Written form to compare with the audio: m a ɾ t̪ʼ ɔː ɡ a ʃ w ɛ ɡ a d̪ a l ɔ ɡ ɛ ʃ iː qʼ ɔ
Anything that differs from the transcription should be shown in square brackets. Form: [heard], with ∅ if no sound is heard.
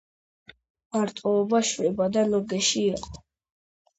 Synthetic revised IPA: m a ɾ t̪ʼ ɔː [b] a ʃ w ɛ [b] a d̪ a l ɔ ɡ ɛ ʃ iː qʼ ɔ